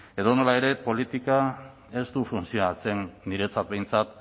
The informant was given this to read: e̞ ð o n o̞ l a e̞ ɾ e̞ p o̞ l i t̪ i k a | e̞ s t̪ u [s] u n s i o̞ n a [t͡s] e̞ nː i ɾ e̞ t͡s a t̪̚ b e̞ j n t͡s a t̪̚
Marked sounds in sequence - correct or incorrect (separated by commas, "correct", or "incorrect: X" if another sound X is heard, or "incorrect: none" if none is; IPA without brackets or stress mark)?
incorrect: f, correct